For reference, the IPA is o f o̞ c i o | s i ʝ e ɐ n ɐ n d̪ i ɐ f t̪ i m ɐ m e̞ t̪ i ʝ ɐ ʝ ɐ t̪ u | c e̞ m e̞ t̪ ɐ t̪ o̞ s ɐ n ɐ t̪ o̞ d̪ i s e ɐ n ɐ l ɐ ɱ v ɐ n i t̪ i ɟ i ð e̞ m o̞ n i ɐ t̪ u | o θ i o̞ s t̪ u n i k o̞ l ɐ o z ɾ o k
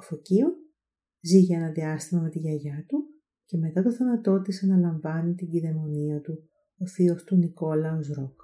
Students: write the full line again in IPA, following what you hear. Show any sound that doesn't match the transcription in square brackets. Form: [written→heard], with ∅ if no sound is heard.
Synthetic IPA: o f o̞ c i o | [s→z] i ʝ e ɐ n ɐ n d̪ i ɐ [f→s] t̪ i m ɐ m e̞ t̪ i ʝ ɐ ʝ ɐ t̪ u | c e̞ m e̞ t̪ ɐ t̪ o̞ [s→θ] ɐ n ɐ t̪ o̞ [d̪→t̪] i s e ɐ n ɐ l ɐ ɱ v ɐ n i t̪ i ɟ i ð e̞ m o̞ n i ɐ t̪ u | o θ i o̞ s t̪ u n i k o̞ l ɐ o z ɾ o k